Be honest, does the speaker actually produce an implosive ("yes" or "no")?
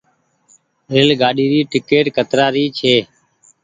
yes